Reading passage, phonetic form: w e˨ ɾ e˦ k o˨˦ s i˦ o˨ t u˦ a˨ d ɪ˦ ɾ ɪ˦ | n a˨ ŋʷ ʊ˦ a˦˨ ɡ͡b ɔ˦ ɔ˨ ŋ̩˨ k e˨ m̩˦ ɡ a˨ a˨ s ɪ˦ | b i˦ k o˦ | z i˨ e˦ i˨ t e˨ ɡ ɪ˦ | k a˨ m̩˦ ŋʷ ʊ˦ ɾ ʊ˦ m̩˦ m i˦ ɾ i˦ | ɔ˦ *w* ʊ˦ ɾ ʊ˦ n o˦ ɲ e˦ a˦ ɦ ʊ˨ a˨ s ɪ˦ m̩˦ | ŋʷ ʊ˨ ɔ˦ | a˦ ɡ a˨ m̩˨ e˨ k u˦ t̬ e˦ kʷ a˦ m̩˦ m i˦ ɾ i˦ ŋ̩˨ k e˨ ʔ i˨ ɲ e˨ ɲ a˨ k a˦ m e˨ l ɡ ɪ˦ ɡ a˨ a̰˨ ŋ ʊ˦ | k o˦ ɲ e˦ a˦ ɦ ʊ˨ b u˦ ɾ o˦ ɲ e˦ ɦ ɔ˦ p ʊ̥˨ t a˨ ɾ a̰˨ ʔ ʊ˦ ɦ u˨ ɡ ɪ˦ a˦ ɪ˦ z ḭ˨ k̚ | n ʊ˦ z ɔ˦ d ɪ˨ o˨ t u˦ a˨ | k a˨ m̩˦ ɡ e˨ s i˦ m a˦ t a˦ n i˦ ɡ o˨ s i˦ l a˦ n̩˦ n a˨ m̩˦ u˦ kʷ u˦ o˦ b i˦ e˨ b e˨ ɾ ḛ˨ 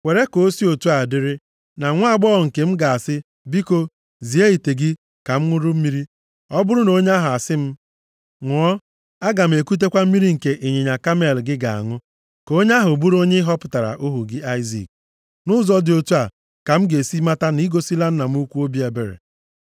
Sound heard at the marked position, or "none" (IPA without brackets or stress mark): b